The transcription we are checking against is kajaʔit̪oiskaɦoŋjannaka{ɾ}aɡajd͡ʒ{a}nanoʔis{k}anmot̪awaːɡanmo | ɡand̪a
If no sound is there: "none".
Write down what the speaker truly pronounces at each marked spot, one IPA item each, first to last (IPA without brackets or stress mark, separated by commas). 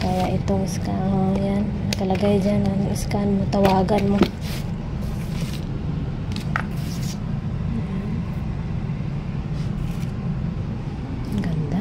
l, a, k